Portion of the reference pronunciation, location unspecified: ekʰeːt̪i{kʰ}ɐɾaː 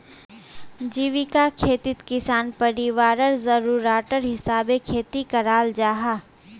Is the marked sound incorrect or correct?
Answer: incorrect